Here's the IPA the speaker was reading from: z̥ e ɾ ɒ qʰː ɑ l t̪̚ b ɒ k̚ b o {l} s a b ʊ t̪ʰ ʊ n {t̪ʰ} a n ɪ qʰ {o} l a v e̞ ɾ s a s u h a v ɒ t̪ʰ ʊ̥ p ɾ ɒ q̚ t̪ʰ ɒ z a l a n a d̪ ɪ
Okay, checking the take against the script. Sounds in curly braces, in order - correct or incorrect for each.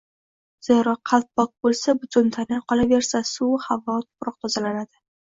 correct, correct, incorrect

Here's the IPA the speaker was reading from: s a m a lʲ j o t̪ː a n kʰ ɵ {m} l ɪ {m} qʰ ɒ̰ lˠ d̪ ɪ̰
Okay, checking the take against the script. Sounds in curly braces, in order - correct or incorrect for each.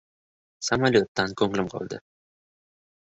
incorrect, correct

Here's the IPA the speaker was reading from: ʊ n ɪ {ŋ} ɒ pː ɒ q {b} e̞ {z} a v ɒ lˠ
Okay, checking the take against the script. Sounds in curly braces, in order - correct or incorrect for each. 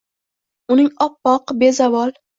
correct, correct, correct

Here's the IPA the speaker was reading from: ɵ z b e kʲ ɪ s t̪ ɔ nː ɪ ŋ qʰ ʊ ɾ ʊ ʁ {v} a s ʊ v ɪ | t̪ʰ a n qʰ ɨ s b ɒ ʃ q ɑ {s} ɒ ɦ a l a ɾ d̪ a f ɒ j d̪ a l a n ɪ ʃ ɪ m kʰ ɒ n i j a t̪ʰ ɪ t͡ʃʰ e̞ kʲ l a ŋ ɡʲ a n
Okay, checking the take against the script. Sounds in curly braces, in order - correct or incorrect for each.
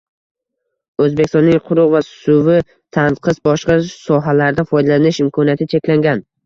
correct, correct

